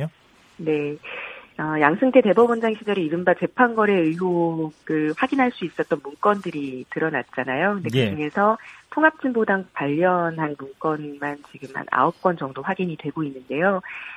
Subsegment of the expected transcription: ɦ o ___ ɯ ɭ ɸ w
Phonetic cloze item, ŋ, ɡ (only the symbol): ɡ